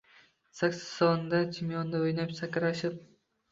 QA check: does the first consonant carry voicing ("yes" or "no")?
no